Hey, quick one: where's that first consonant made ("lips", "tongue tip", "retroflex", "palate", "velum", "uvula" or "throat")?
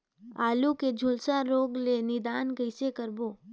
tongue tip